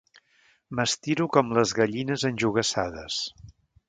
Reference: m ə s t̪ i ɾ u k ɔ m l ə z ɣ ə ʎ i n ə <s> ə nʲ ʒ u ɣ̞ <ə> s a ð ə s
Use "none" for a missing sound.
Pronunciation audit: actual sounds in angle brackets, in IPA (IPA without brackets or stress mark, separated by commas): z, ə